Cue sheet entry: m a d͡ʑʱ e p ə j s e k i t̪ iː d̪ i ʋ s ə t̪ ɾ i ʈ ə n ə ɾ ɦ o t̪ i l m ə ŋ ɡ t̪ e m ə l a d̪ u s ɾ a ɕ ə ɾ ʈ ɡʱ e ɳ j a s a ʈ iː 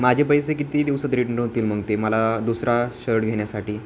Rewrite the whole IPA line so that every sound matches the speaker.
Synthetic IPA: m a d͡ʑʱ e p ə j s e k i t̪ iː d̪ i ʋ s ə t̪ ɾ i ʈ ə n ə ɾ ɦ o t̪ iː l m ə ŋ ɡ t̪ e m ə l a d̪ u s ɾ a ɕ ə ɾ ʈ ɡʱ e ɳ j a s a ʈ iː

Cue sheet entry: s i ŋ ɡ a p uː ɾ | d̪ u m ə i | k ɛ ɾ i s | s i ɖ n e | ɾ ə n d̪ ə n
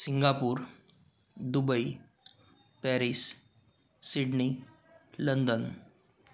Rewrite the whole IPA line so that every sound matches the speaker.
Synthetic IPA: s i ŋ ɡ a p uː ɾ | d̪ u b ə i | p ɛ ɾ i s | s i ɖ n i | l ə n d̪ ə n

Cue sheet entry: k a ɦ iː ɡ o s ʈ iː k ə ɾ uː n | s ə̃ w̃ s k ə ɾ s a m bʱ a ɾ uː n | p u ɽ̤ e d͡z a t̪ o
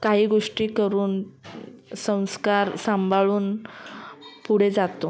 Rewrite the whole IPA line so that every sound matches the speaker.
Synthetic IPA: k a ɦ iː ɡ o ʂ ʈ iː k ə ɾ uː n | s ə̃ w̃ s k a ɾ s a m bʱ a ɭ uː n | p u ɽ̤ e d͡z a t̪ o

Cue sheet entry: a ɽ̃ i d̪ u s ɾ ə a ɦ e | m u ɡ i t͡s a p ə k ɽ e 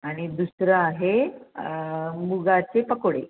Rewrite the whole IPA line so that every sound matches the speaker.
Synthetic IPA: a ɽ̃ i d̪ u s ɾ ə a ɦ e | m u ɡ a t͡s e p ə k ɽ e

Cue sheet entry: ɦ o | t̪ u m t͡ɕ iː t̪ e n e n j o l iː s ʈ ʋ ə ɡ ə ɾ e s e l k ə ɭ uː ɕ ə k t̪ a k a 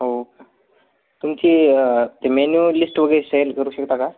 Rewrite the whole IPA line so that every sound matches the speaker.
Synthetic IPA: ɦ o | t̪ u m t͡ɕ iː t̪ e m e n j u l i s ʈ ʋ ə ɡ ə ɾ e s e l k ə ɾ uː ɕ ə k t̪ a k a

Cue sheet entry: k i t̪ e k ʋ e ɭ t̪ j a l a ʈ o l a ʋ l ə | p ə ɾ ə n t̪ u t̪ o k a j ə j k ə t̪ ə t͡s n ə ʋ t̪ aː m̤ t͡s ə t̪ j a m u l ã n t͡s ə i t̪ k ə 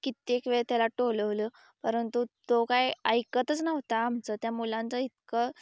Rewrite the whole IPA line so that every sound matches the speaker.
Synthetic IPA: k i t̪ e k ʋ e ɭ t̪ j a l a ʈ o l ə ʋ l ə | p ə ɾ ə n t̪ u t̪ o k a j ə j k ə t̪ ə t͡s n ə ʋ t̪ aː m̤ t͡s ə t̪ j a m u l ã n t͡s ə i t̪ k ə

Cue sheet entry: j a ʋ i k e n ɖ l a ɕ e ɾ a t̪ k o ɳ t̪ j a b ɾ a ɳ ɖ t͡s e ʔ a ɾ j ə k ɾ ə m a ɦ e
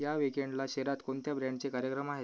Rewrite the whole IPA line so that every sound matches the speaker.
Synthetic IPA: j a ʋ i k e ɳ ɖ l a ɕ e ɾ a t̪ k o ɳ t̪ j a b ɾ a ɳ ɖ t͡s e k a ɾ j ə k ɾ ə m a ɦ e

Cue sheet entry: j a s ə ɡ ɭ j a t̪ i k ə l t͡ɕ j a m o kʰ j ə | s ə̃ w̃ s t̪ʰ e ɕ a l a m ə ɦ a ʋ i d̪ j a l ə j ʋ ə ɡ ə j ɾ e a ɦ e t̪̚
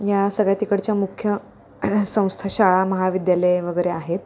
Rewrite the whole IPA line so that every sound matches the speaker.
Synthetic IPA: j a s ə ɡ ɭ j a t̪ i k ə ɽ t͡ɕ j a m u kʰ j ə | s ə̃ w̃ s t̪ʰ a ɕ a ɭ a m ə ɦ a ʋ i d̪ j a l ə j ʋ ə ɡ ə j ɾ e a ɦ e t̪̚

